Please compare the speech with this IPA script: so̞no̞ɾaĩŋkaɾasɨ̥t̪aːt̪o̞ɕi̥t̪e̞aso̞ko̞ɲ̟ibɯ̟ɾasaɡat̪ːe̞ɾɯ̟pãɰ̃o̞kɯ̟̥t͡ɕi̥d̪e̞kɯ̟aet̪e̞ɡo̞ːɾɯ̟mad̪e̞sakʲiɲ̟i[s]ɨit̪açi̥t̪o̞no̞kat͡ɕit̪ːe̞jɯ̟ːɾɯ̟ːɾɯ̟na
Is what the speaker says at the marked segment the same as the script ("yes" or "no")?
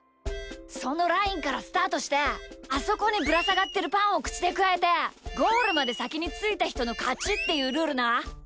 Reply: no